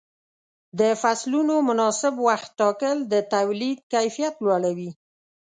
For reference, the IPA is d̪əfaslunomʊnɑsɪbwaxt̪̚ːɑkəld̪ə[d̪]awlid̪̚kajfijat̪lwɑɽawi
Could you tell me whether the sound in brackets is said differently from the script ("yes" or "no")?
yes